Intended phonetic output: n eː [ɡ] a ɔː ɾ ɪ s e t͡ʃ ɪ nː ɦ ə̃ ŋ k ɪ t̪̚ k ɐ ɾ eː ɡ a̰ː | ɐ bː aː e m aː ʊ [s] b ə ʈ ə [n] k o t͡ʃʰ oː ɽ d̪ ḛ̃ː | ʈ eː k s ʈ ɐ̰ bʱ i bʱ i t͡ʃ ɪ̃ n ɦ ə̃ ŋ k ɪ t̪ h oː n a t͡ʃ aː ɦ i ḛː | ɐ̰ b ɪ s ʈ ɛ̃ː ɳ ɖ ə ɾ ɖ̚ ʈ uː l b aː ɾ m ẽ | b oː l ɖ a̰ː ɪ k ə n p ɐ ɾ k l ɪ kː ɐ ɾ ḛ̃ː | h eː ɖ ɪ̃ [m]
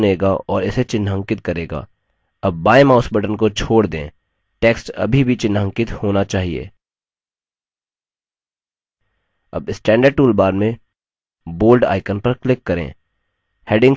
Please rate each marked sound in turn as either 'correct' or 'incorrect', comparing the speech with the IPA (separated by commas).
correct, correct, correct, incorrect